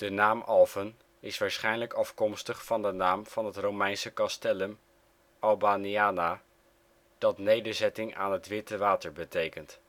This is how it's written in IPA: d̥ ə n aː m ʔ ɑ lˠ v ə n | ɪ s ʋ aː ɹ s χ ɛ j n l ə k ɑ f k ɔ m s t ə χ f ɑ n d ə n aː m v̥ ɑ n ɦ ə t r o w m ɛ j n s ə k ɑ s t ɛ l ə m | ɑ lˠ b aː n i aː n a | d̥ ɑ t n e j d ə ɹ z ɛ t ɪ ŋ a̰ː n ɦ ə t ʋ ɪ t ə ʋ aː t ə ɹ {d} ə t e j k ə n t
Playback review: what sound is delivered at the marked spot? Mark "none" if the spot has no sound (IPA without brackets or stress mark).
b